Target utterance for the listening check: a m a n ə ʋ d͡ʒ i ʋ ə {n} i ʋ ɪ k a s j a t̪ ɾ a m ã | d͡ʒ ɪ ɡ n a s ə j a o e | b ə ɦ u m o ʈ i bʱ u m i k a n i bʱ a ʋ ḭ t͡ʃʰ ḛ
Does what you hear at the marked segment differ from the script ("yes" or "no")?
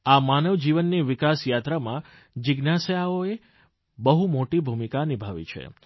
yes